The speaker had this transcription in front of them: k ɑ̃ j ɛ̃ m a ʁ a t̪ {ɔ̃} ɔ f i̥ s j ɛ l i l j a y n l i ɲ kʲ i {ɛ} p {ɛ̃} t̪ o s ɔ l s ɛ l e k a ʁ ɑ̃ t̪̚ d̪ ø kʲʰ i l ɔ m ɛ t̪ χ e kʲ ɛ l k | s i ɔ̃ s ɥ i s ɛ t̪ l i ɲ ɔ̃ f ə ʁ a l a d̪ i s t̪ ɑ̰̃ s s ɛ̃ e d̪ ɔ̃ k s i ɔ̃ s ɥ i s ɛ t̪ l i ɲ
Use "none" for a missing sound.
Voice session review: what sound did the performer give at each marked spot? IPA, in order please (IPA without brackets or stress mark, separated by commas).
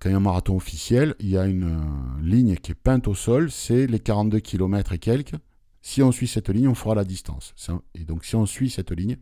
ɔ̃, ɛ, ɛ̃